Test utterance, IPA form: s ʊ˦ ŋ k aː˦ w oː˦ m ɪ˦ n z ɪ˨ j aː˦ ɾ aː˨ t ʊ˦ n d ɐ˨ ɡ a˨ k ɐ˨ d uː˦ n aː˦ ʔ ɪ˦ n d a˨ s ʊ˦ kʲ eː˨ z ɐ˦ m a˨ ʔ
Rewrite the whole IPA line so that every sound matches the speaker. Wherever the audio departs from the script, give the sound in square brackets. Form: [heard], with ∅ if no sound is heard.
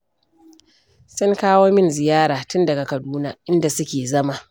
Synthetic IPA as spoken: s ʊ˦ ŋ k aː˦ w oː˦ m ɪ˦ n z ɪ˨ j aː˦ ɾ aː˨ t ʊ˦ n d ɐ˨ ɡ a˨ k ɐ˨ d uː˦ n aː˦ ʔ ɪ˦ n d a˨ s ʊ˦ kʲ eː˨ z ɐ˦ m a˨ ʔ